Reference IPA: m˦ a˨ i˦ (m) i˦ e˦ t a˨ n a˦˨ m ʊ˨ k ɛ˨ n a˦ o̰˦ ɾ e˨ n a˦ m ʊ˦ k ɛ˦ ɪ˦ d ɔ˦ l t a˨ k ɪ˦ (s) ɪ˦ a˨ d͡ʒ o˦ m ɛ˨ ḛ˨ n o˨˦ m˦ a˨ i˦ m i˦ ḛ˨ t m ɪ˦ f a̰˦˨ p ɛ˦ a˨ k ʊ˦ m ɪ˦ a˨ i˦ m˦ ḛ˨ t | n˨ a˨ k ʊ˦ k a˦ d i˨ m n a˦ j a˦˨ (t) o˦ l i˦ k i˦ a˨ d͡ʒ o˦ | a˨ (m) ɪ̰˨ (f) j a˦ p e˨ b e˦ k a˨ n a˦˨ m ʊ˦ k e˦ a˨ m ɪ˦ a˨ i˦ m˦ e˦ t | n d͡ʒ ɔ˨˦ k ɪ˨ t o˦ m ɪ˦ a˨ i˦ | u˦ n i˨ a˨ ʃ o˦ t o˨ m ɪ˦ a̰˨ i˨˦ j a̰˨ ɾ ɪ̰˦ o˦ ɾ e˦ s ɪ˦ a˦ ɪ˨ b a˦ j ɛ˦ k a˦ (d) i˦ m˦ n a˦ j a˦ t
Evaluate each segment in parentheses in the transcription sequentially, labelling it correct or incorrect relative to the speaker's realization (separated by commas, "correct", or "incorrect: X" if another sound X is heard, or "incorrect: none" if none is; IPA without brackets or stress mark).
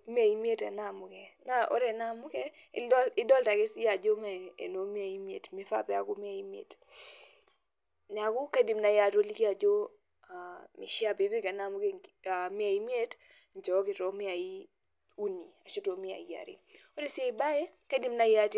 correct, correct, correct, correct, incorrect: ʃ, correct